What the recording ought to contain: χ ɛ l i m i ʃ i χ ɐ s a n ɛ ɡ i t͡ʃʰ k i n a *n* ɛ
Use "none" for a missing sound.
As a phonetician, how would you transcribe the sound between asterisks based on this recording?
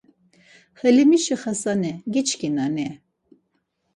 n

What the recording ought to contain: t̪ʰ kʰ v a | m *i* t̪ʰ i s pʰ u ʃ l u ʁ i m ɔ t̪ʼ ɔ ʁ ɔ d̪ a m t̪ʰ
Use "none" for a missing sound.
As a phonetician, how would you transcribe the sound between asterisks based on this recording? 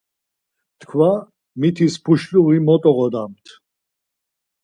i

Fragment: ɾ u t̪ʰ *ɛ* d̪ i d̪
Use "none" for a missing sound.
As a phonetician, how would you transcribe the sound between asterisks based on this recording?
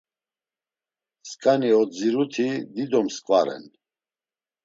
i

